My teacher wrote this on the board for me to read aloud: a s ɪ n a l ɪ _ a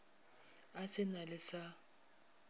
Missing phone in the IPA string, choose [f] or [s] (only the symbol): s